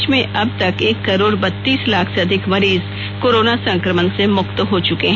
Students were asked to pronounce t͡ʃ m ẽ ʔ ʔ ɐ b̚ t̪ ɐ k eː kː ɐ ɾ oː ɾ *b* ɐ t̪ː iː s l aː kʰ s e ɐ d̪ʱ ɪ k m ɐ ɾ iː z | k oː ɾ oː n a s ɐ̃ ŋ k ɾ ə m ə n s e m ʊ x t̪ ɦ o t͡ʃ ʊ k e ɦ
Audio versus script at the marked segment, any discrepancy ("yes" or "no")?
no